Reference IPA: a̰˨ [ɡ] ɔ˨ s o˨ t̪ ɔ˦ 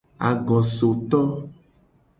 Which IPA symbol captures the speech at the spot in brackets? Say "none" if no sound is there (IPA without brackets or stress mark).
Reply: ɡ